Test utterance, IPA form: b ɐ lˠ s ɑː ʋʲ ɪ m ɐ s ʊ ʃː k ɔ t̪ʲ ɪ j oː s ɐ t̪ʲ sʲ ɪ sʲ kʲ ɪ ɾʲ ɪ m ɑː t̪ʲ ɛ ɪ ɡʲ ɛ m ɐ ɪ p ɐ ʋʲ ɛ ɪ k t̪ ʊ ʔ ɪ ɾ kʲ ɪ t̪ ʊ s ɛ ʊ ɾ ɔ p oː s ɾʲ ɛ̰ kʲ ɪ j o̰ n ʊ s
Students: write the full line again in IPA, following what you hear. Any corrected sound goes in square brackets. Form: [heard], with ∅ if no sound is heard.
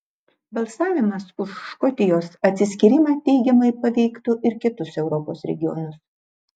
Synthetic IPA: b ɐ lˠ s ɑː ʋʲ ɪ m ɐ s ʊ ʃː k ɔ t̪ʲ ɪ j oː s ɐ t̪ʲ sʲ ɪ sʲ kʲ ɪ ɾʲ ɪ m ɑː t̪ʲ ɛ ɪ ɡʲ ɛ m ɐ ɪ p ɐ ʋʲ ɛ ɪ k t̪ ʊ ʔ ɪ ɾ kʲ ɪ t̪ ʊ s ɛ ʊ ɾ ɔ p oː s ɾʲ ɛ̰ [ɡʲ] ɪ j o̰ n ʊ s

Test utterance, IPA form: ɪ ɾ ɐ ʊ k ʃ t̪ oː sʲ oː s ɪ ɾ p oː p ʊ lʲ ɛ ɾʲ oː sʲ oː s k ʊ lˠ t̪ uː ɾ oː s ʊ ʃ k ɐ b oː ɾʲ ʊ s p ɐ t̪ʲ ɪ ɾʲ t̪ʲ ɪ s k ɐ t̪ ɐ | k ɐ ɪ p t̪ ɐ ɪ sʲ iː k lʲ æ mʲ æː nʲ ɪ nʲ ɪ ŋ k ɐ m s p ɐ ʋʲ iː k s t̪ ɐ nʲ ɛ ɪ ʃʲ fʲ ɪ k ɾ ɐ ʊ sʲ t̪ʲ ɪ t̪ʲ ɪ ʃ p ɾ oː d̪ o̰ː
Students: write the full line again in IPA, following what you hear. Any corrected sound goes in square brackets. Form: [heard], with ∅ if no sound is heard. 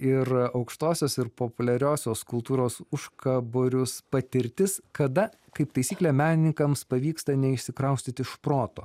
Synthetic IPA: ɪ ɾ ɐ ʊ k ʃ t̪ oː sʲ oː s ɪ ɾ p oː p ʊ lʲ ɛ ɾʲ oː sʲ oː s k ʊ lˠ t̪ uː ɾ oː s ʊ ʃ k ɐ b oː ɾʲ ʊ s p ɐ t̪ʲ ɪ ɾʲ t̪ʲ ɪ s k ɐ [d̪] ɐ | k ɐ ɪ p t̪ ɐ ɪ sʲ iː k lʲ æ mʲ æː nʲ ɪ nʲ ɪ ŋ k ɐ m s p ɐ ʋʲ iː k s t̪ ɐ nʲ ɛ ɪ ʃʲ [sʲ] ɪ k ɾ ɐ ʊ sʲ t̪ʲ ɪ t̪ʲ ɪ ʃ p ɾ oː [t̪] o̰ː

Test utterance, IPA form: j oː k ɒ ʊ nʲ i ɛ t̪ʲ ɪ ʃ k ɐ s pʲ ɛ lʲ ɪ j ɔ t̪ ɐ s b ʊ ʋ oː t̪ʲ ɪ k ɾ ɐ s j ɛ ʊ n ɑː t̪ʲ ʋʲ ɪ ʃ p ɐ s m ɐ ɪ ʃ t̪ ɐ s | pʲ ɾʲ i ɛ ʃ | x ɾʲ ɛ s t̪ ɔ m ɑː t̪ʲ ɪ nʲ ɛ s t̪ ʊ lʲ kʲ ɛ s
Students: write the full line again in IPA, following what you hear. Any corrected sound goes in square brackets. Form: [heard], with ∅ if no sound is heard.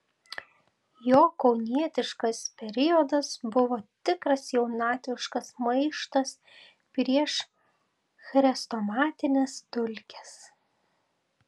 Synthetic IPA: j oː k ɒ ʊ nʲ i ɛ t̪ʲ ɪ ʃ k ɐ s pʲ ɛ [ɾʲ] ɪ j ɔ [d̪] ɐ s b ʊ ʋ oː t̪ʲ ɪ k ɾ ɐ s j ɛ ʊ n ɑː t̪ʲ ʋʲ ɪ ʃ [k] ɐ s m ɐ ɪ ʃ t̪ ɐ s | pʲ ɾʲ i ɛ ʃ | x ɾʲ ɛ s t̪ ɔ m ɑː t̪ʲ ɪ nʲ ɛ s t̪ ʊ lʲ kʲ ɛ s

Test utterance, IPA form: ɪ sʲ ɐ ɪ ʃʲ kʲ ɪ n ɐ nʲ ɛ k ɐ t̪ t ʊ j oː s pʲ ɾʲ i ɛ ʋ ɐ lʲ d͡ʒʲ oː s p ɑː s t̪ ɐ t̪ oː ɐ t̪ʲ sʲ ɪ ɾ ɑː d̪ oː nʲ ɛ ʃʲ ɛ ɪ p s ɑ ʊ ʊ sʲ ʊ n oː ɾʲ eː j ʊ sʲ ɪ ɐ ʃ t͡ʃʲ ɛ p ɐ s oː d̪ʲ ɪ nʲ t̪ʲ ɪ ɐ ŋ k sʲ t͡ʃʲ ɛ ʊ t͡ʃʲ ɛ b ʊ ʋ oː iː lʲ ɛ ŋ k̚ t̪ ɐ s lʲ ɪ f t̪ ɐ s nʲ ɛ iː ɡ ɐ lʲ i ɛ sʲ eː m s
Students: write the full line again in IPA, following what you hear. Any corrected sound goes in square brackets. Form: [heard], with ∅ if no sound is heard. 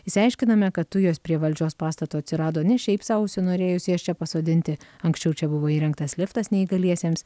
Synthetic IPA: ɪ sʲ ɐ ɪ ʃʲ kʲ ɪ n ɐ [mʲ] ɛ k ɐ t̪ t ʊ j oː s pʲ ɾʲ i ɛ ʋ ɐ lʲ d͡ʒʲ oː s p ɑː s t̪ ɐ t̪ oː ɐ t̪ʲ sʲ ɪ ɾ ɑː d̪ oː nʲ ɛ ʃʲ ɛ ɪ p s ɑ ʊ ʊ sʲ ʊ n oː ɾʲ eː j ʊ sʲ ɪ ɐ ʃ t͡ʃʲ ɛ p ɐ s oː d̪ʲ ɪ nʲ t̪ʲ ɪ ɐ ŋ k sʲ t͡ʃʲ ɛ ʊ t͡ʃʲ ɛ b ʊ ʋ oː iː [ɾʲ] ɛ ŋ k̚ t̪ ɐ s lʲ ɪ f t̪ ɐ s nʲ ɛ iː ɡ ɐ lʲ i ɛ sʲ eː m s

